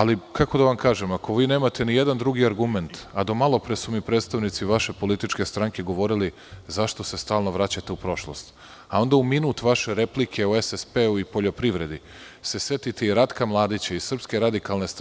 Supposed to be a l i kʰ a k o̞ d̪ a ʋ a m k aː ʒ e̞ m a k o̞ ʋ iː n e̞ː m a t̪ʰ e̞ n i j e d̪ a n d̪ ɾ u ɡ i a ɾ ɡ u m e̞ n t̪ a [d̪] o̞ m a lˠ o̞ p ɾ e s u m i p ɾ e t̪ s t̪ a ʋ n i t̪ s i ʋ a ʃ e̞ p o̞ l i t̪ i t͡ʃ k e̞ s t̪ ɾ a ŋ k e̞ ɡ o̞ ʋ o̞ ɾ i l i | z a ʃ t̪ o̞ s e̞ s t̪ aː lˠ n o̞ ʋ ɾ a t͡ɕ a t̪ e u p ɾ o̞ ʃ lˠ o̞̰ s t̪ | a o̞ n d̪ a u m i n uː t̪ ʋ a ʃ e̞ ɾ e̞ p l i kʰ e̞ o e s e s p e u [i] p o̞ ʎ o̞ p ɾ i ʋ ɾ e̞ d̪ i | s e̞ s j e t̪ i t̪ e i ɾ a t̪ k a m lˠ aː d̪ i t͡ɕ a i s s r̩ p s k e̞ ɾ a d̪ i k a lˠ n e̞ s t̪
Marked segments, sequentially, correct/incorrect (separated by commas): correct, correct